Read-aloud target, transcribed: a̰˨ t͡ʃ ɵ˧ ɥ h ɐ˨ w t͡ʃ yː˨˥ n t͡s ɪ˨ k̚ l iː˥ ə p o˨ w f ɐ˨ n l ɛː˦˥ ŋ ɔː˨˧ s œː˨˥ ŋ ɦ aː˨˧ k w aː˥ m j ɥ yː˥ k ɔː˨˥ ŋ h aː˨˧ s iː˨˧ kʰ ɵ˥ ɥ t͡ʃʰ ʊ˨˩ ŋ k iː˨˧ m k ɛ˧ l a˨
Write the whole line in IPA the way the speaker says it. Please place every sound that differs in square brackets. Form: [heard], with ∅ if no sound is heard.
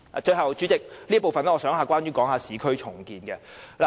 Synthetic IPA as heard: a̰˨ t͡ʃ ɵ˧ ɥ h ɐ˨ w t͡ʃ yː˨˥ [∅] t͡s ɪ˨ k̚ l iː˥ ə p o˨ w f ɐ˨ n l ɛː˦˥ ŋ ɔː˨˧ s œː˨˥ ŋ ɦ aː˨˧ k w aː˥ [n] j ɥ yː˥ k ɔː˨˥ ŋ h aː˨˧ s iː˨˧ kʰ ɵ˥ ɥ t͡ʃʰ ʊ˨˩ ŋ k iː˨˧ [n] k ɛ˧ l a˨